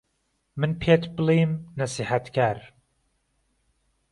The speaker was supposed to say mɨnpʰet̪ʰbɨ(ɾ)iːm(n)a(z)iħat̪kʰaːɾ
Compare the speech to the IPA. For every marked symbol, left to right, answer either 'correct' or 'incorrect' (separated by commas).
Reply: incorrect, correct, incorrect